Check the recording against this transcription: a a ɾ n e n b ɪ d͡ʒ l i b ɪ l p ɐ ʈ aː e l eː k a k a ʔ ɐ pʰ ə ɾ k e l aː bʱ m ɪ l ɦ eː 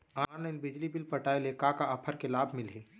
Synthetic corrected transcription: a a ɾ n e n b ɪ d͡ʒ l i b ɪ l p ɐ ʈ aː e l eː k a k a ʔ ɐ pʰ ə ɾ k e l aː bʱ m ɪ l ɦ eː